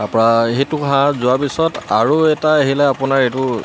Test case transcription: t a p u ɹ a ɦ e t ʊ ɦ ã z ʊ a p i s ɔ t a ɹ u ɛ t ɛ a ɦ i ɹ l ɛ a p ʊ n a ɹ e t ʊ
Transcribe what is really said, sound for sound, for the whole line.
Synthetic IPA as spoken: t a p ɔ ɹ a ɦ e t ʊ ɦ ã z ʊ a p i s ɔ t a ɹ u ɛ t a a ɦ i l ɛ a p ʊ n a ɹ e t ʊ